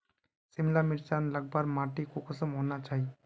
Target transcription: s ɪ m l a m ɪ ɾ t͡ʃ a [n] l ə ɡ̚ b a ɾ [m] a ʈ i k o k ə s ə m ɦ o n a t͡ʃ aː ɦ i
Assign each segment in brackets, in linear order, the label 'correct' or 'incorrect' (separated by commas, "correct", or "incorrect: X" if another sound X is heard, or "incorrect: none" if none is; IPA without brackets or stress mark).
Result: correct, correct